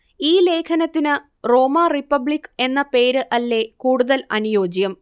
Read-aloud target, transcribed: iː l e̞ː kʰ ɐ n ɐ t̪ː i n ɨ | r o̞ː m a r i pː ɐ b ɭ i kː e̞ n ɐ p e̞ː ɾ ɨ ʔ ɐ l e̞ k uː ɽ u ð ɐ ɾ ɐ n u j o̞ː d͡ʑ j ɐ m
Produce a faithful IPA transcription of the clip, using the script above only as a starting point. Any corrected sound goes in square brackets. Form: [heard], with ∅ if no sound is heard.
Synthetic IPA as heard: iː l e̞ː kʰ ɐ n ɐ t̪ː i n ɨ | r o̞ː m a r i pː ɐ b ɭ i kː e̞ [nː] ɐ p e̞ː ɾ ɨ ʔ ɐ [lː] e̞ k uː ɽ u ð ɐ [l] ɐ n u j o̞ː d͡ʑ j ɐ m